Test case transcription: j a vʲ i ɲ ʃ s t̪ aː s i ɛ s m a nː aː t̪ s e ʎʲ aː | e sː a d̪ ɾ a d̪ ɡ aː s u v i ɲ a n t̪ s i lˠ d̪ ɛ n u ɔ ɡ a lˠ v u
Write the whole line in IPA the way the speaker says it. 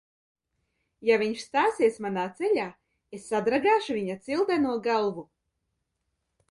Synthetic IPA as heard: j a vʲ i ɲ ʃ s t̪ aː s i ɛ s m a n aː t̪ s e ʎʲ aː | e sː a d̪ ɾ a ɡ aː ʃ u v i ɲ a t̪ s i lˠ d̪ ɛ n u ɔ ɡ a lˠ v u